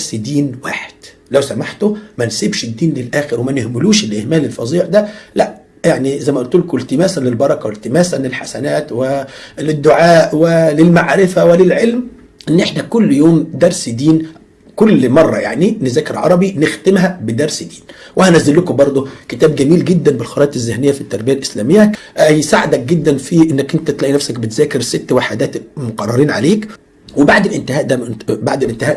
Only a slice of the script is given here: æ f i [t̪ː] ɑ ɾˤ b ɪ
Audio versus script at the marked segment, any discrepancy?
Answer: no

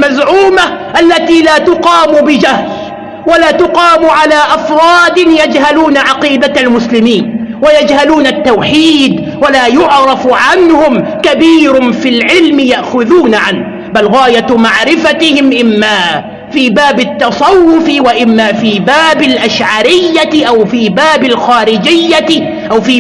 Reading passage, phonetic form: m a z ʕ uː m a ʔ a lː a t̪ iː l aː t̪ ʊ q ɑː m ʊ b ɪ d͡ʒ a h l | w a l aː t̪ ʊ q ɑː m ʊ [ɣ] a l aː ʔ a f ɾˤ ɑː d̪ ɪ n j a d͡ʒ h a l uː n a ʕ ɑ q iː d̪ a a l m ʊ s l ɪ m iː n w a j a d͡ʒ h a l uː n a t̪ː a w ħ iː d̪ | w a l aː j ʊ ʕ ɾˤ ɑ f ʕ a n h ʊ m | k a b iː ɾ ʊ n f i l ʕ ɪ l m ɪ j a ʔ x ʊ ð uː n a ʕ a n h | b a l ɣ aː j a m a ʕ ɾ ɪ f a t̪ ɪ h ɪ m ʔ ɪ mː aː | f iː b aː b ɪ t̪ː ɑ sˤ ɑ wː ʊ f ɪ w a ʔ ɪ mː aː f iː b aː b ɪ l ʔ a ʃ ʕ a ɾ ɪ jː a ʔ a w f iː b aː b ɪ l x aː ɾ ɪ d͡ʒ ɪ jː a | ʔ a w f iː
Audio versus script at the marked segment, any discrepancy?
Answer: yes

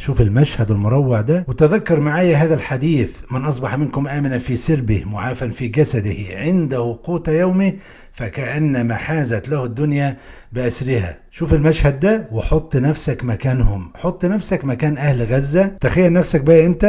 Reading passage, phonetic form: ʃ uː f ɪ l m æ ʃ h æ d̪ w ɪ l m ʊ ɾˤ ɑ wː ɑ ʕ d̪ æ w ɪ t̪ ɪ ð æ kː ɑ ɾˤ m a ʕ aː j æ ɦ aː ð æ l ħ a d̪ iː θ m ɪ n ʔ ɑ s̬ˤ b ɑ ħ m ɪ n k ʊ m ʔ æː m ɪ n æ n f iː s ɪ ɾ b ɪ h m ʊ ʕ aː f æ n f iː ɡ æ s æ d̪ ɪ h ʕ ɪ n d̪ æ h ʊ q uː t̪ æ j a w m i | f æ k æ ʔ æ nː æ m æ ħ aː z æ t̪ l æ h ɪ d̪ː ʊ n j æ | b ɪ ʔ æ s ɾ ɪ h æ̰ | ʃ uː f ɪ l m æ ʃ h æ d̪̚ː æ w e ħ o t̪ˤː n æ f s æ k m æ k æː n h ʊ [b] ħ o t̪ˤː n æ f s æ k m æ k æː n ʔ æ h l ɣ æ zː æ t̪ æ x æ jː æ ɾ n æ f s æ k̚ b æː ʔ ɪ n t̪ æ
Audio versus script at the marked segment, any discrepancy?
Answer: yes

